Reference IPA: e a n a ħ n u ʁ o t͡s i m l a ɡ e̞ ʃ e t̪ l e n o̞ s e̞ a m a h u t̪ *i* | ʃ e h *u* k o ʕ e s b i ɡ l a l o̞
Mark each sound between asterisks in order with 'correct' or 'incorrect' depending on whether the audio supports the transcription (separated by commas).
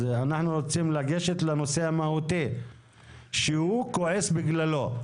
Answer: correct, correct